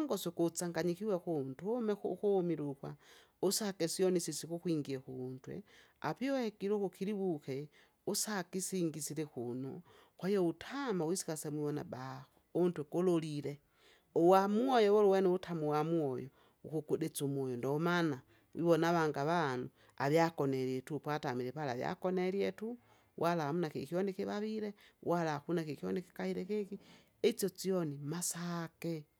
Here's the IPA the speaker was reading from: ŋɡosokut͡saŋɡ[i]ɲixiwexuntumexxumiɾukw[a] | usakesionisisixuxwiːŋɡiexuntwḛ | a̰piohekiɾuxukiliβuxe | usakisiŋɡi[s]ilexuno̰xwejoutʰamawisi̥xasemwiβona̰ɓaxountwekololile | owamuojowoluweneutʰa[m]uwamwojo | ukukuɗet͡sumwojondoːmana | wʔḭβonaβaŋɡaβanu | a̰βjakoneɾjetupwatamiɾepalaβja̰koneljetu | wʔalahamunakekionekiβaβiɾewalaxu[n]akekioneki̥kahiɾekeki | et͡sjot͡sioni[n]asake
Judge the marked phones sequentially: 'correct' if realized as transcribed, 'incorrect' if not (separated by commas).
incorrect, correct, correct, correct, correct, incorrect